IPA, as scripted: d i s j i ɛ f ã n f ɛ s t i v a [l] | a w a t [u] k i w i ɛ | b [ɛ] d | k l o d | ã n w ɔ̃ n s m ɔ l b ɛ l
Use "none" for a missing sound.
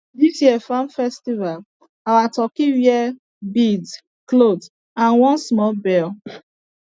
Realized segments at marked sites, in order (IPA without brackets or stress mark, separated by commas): l, ɔ, i